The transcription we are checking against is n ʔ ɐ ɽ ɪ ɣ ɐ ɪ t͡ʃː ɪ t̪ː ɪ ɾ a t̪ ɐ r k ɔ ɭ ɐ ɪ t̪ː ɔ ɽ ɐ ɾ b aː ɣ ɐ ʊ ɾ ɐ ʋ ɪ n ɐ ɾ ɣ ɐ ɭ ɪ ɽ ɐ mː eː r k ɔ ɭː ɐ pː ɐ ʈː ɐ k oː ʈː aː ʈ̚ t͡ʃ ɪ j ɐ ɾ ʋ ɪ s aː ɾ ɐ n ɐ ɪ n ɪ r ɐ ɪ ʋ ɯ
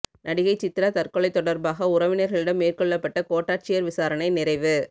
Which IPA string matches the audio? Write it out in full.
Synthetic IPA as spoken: n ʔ ɐ ɽ ɪ ɣ ɐ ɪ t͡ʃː ɪ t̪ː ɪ ɾ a t̪ ɐ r k ɔ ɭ ɐ ɪ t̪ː ɔ ɽ ɐ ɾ b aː ɣ ɐ ʊ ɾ ɐ ʋ ɪ n ɐ ɾ ɣ ɐ ɭ ɪ ɽ ɐ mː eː r k ɔ ɭː ɐ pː ɐ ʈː ɐ k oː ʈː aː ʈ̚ t͡ʃ ɪ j ɐ ɾ ʋ ɪ s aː ɾ ɐ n ɐ ɪ n ɪ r ɐ ɪ ʋ ɯ